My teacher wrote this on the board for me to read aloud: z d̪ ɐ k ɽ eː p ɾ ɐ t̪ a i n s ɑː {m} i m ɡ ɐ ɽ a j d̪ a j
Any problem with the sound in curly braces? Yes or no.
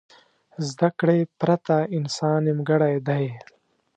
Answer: yes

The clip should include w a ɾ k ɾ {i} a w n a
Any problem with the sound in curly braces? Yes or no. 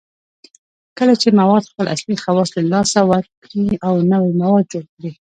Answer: no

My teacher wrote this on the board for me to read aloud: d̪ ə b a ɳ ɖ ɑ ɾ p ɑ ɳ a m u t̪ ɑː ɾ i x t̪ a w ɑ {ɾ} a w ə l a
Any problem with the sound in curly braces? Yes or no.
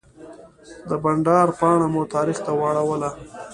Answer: yes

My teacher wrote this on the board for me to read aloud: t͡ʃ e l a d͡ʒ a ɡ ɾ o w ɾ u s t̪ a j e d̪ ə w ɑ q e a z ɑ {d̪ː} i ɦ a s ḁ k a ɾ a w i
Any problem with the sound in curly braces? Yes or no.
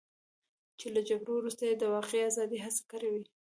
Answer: yes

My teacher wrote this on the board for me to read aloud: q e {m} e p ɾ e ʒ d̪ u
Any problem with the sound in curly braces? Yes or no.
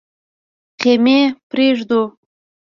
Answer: no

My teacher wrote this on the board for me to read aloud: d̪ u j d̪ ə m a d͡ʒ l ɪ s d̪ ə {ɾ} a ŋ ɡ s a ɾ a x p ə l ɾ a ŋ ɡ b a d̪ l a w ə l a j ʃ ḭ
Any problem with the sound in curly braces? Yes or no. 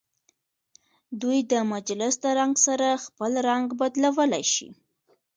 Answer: no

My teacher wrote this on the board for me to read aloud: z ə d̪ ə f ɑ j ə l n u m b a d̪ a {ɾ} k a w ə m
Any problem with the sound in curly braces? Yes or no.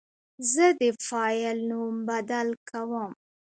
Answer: yes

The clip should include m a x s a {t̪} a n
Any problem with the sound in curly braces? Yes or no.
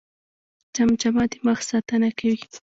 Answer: no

